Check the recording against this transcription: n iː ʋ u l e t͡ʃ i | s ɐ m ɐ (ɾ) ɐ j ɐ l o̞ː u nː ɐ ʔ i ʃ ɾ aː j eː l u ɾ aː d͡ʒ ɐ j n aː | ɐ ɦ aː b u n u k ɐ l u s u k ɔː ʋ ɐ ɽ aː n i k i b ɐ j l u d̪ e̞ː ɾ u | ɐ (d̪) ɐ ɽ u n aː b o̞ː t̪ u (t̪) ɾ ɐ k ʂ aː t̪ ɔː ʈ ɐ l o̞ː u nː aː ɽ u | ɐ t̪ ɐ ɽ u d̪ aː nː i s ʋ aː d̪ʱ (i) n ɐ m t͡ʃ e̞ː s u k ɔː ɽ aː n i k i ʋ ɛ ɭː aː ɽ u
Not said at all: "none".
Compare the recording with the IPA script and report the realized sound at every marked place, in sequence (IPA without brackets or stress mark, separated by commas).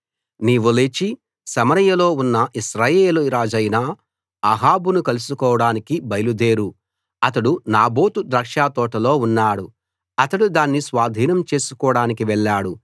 ɾ, t̪, d̪, iː